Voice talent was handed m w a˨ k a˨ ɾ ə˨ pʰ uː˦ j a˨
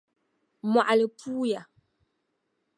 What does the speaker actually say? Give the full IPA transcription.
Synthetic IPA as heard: m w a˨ ʔ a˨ l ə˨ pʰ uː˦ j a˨

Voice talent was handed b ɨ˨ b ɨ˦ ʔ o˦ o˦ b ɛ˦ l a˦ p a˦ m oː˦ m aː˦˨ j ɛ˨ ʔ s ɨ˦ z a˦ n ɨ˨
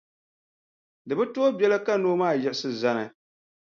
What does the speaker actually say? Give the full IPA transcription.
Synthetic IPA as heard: d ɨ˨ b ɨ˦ t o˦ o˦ b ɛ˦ l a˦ k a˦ n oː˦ m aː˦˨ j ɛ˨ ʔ s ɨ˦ z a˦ n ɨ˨

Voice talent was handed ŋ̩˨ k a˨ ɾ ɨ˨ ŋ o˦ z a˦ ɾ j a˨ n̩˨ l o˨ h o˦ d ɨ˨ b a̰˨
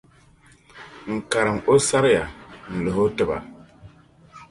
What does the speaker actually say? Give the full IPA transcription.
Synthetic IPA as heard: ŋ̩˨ k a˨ ɾ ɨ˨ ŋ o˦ s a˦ ɾ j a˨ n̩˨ l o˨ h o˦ t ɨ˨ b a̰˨

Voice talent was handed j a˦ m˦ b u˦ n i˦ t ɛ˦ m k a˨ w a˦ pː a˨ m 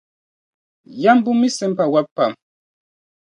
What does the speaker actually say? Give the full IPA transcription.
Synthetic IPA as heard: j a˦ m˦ b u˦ m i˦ s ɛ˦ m p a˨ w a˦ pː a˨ m

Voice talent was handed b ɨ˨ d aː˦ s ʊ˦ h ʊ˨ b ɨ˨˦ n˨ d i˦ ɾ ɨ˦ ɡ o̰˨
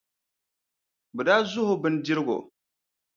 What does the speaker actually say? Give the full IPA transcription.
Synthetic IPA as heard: b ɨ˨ d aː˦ z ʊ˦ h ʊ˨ b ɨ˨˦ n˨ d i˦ ɾ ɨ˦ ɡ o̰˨

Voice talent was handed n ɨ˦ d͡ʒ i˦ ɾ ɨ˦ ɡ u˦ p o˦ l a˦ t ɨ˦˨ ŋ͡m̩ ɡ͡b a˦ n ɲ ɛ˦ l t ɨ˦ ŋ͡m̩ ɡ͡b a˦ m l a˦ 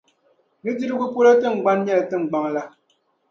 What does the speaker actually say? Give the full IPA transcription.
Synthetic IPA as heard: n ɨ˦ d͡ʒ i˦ ɾ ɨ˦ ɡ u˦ p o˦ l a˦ t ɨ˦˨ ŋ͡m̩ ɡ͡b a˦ n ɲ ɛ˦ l t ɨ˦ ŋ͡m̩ ɡ͡b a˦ ŋ l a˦

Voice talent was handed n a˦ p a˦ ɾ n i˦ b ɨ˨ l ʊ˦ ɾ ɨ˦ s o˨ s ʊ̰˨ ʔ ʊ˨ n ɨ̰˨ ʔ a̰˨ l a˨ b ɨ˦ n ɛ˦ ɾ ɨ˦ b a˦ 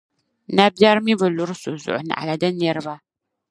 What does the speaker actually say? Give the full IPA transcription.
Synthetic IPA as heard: n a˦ b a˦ ɾ m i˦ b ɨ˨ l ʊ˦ ɾ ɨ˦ s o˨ z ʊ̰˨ ʔ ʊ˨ n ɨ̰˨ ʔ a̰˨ l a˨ d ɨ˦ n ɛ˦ ɾ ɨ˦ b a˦

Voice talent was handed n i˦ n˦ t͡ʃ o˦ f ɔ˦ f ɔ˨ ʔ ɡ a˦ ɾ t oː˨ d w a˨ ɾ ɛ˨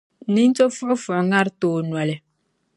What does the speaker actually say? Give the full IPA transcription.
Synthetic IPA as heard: n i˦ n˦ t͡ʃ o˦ f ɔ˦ f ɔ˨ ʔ ŋ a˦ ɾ t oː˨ n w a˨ l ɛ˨

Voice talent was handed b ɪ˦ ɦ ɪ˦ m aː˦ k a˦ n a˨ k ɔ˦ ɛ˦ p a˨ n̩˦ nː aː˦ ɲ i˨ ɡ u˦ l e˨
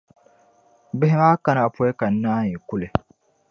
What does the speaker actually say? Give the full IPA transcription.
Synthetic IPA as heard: b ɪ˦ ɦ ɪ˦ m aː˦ k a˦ n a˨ p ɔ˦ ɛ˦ k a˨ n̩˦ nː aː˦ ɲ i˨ k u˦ l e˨

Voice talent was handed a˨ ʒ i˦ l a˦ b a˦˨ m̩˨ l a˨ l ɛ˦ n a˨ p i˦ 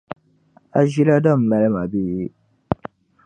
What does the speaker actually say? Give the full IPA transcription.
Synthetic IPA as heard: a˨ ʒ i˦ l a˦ d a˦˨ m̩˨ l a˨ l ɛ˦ m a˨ b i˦

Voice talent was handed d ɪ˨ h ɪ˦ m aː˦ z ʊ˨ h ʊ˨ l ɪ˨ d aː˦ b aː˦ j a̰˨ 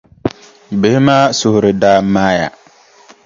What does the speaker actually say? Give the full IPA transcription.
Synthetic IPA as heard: b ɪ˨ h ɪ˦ m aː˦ s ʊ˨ h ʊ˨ ɾ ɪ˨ d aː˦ m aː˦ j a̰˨

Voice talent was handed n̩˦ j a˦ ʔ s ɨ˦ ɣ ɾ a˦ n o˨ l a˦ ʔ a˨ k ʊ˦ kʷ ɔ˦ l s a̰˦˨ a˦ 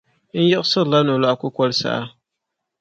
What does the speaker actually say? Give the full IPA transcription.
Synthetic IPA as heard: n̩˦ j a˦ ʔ s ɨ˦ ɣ l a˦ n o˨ l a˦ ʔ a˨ k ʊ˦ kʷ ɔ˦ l s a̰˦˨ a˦

